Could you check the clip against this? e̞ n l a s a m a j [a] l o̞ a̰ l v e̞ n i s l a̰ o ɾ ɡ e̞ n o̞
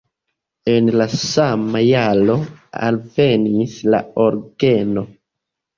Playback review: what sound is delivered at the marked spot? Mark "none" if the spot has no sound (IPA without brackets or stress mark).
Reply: a